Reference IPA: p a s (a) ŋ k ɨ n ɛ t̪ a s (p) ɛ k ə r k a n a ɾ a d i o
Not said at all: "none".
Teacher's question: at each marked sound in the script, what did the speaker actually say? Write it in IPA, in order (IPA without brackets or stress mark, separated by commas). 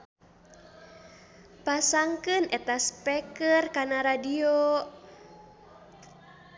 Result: a, p